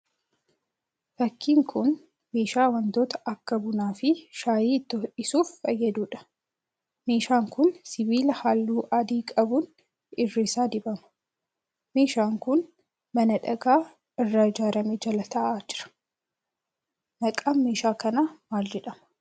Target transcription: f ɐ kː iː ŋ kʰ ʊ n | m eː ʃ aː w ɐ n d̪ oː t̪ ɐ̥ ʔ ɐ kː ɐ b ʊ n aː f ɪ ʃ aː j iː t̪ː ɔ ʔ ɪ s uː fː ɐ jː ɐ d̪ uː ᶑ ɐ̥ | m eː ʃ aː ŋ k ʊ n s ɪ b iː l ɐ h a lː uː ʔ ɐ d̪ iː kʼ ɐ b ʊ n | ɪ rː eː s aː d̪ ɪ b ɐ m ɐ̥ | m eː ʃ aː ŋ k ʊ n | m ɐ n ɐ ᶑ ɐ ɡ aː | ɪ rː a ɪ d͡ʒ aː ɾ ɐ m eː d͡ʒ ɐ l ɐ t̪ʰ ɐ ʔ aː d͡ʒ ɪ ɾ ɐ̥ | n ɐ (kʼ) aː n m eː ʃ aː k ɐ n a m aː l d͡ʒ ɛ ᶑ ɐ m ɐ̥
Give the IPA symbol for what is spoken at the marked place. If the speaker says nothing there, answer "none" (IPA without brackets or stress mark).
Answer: kʼ